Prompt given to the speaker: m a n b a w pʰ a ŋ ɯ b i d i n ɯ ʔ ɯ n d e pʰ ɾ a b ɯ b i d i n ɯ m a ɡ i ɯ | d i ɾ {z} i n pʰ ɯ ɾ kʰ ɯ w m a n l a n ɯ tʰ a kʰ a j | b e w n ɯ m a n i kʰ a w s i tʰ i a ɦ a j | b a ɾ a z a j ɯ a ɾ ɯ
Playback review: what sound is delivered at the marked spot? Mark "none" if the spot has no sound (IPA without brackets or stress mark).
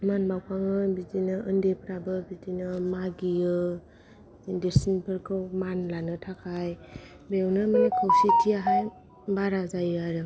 s